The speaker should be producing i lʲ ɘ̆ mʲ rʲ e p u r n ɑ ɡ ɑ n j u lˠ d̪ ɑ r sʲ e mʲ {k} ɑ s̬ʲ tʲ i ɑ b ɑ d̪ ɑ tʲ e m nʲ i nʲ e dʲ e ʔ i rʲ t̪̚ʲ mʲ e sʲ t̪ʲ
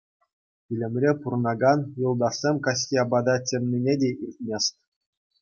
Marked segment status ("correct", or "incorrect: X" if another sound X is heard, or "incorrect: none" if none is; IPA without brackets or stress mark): correct